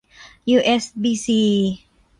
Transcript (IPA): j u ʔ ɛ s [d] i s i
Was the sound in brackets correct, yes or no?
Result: no